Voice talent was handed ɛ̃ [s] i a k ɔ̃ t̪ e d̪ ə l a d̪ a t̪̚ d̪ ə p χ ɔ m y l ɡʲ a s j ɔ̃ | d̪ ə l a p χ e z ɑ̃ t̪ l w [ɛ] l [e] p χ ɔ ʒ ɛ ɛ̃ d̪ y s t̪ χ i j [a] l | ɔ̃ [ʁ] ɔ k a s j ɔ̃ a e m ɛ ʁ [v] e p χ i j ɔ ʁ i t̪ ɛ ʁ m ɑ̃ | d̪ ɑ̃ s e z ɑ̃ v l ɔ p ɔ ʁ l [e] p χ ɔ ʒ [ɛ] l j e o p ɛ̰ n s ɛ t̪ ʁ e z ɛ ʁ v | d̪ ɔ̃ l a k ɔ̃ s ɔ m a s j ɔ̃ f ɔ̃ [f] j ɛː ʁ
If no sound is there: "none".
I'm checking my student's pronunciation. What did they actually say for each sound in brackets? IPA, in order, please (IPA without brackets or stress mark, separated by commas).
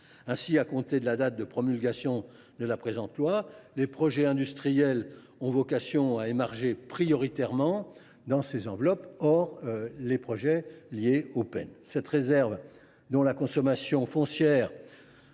s, a, e, ɛ, v, ʒ, e, ɛ, s